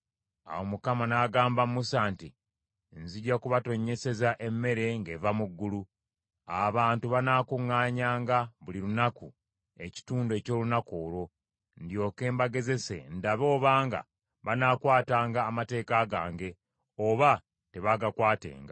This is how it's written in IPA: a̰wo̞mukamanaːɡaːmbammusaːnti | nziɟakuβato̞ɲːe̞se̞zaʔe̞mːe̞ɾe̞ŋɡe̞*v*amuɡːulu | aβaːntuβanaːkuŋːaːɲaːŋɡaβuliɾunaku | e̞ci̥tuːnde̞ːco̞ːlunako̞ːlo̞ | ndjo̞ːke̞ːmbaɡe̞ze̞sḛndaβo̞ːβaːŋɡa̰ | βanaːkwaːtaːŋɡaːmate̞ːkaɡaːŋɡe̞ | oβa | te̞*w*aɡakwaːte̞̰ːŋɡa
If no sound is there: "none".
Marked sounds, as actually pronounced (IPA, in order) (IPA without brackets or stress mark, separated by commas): v, β